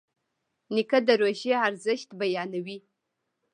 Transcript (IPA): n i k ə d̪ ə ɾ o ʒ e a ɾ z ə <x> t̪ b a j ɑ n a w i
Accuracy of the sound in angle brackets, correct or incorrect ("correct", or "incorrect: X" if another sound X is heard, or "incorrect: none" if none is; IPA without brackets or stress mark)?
incorrect: ʃ